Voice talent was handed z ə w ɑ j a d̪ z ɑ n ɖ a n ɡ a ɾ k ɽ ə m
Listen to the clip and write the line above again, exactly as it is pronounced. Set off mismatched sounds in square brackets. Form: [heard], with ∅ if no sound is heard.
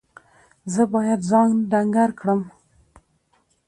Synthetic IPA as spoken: z ə [b] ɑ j a d̪ z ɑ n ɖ a [ŋ] ɡ a ɾ k ɽ ə m